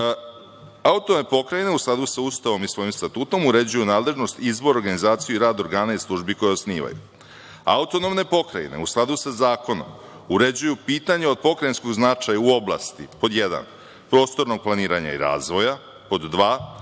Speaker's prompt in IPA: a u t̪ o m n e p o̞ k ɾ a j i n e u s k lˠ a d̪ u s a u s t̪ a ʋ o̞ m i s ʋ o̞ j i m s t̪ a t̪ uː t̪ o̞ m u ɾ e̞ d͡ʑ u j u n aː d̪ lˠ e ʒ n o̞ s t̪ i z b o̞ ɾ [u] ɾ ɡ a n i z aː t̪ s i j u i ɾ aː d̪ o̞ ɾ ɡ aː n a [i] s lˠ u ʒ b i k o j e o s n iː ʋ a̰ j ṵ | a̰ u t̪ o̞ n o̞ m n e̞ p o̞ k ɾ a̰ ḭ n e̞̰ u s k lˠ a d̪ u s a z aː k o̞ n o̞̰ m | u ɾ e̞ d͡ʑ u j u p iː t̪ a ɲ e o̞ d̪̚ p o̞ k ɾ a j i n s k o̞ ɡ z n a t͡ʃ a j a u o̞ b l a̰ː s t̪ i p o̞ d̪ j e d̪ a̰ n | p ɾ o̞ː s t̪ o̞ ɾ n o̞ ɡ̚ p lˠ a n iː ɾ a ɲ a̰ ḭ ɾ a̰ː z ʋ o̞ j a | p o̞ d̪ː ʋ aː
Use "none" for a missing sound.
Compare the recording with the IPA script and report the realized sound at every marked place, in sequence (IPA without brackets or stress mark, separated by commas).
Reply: o, i